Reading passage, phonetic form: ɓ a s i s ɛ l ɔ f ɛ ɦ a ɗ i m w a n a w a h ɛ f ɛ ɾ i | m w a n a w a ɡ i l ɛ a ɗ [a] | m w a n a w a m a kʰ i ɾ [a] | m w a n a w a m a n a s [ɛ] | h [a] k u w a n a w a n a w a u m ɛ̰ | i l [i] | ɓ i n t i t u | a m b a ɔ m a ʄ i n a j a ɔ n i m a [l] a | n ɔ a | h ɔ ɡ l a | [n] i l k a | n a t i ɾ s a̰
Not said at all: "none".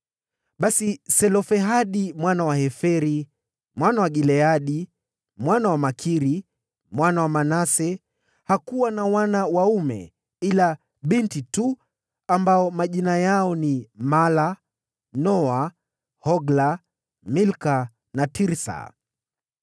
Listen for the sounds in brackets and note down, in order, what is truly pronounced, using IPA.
i, i, ɛ, a, a, l, m

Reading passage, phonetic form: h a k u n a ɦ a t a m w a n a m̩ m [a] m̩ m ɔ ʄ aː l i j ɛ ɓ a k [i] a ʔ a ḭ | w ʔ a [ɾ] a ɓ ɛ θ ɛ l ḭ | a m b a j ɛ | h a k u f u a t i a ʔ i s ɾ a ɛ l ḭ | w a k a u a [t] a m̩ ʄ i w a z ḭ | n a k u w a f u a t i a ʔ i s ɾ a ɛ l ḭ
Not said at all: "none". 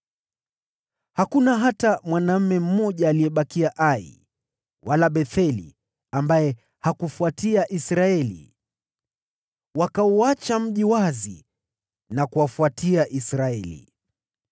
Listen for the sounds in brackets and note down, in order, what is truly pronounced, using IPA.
ɛ, i, l, t͡ʃ

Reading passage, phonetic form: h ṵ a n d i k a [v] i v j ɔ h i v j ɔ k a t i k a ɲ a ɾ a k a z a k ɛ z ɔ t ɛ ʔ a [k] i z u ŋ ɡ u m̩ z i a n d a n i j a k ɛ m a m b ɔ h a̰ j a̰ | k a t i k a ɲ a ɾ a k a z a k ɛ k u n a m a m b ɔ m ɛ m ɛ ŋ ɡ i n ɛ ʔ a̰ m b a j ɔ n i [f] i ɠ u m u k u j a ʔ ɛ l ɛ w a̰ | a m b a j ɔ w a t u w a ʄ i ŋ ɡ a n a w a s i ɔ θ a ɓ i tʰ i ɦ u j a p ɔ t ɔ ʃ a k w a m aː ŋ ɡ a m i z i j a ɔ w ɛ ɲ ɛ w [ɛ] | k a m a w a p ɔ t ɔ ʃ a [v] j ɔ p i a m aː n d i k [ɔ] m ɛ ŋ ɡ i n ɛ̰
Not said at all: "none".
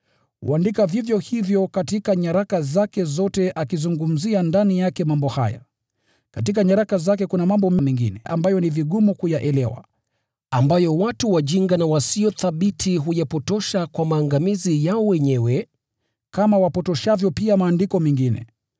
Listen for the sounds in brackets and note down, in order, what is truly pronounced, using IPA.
v, k, v, ɛ, v, ɔ

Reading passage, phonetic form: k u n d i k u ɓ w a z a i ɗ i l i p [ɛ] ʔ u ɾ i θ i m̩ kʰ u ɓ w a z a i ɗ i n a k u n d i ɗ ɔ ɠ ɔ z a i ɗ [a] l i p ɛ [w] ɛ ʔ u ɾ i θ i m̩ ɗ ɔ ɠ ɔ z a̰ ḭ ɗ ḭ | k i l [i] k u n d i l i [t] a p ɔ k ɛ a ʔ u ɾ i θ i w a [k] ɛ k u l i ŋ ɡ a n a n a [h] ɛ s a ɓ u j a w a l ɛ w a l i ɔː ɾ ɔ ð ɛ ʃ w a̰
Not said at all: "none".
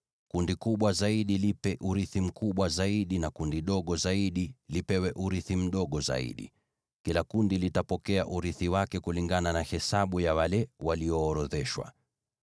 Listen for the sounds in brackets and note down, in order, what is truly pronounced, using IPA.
ɛ, i, w, a, t, k, h

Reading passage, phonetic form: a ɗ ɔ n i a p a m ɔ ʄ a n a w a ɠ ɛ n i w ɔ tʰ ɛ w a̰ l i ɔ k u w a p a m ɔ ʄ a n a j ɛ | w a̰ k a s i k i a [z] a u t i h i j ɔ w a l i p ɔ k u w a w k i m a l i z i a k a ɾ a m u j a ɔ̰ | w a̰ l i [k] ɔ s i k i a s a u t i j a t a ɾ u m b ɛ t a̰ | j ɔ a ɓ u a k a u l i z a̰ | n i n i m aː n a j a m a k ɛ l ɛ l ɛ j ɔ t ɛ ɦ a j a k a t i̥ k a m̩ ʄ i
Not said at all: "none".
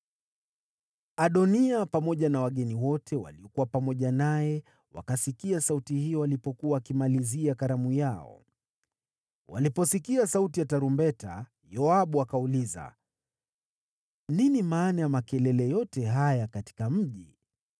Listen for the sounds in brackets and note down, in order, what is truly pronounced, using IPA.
s, p

